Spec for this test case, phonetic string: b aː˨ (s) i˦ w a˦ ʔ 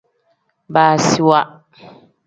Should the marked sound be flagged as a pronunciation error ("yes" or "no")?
no